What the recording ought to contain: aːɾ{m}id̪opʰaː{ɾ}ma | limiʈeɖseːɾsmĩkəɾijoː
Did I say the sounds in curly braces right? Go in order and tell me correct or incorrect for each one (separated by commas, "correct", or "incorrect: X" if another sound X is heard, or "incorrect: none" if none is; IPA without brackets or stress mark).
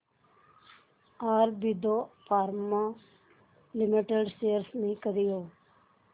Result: incorrect: b, correct